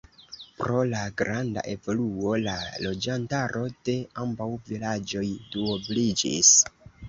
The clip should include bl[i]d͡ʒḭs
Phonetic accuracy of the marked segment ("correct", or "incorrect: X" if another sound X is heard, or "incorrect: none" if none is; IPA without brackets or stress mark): correct